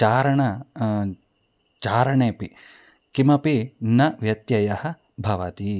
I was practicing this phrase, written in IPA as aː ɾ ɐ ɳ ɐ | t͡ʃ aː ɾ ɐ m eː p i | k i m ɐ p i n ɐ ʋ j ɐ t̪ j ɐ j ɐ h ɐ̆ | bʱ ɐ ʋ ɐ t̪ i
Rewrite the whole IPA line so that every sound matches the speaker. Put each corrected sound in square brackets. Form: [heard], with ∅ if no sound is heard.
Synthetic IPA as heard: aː ɾ ɐ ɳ ɐ | t͡ʃ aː ɾ ɐ [ɳ] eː p i | k i m ɐ p i n ɐ ʋ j ɐ t̪ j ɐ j ɐ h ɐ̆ | bʱ ɐ ʋ ɐ t̪ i